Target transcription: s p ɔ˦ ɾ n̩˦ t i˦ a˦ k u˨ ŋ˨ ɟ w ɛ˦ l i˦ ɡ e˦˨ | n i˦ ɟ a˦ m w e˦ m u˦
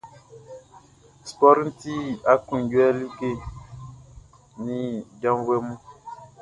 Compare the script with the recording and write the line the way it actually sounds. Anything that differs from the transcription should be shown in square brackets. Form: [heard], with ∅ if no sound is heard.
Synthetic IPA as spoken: s p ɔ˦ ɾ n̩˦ t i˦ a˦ k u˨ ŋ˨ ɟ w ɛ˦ l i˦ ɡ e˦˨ | n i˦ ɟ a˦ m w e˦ m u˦